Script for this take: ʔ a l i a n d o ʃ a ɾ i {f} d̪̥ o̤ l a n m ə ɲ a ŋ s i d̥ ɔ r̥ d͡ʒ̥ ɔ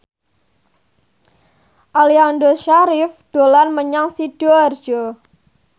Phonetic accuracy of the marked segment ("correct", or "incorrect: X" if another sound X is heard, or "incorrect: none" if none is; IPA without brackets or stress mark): correct